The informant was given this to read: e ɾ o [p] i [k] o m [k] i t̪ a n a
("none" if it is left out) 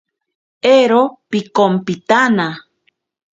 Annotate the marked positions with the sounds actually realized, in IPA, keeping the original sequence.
p, k, p

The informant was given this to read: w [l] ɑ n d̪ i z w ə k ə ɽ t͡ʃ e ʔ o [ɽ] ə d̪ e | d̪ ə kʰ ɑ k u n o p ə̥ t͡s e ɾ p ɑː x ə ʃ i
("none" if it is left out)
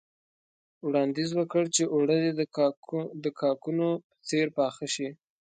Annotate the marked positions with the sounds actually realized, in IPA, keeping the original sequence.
ɽ, ɽ

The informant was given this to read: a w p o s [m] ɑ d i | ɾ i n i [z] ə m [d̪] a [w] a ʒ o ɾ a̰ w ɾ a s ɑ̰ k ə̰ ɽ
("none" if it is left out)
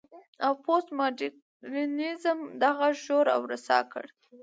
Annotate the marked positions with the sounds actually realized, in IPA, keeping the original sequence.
m, z, d̪, ɣ

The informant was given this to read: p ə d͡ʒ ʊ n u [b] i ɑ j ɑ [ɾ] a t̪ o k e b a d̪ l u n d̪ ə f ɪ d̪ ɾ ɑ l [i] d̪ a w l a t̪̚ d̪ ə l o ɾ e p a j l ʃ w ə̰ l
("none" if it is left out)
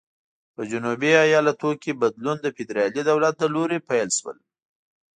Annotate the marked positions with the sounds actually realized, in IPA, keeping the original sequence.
b, l, i

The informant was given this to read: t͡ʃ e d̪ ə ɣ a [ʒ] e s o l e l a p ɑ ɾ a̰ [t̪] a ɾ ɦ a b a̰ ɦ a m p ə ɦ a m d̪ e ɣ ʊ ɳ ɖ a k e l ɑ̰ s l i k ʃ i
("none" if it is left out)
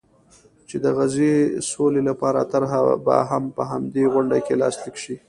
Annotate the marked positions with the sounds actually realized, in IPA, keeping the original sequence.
z, t̪

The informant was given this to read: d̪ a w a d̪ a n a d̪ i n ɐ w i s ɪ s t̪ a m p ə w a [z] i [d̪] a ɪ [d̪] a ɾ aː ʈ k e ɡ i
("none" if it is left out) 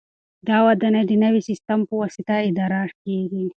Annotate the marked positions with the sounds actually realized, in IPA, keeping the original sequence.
s, t̪, d̪

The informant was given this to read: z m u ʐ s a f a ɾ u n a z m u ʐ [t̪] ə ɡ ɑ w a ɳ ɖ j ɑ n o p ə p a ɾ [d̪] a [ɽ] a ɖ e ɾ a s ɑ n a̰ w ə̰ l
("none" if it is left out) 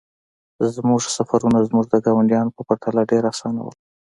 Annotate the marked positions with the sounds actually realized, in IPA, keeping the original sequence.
d̪, t̪, l

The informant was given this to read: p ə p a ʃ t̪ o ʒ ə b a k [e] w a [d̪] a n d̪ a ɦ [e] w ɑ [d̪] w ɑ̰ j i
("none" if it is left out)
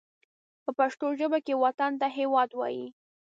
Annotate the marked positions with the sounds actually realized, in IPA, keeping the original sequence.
e, t̪, e, d̪

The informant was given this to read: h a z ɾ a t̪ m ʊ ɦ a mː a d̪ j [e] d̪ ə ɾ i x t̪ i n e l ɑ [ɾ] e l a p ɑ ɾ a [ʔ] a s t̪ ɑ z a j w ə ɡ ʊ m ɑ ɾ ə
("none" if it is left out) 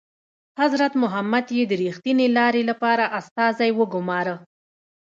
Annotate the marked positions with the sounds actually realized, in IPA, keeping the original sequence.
e, ɾ, ʔ

